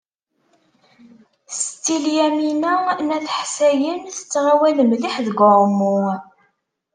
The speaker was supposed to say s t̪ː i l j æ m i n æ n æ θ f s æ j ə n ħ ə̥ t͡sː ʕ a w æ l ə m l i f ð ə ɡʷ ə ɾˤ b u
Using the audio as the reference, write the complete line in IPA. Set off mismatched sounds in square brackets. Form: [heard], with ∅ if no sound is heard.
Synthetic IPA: s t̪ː i l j æ m i n æ n æ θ [ħ] s æ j ə n [θ] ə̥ t͡sː [ʁ] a w æ l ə m l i [ħ] ð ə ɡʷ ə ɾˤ [m] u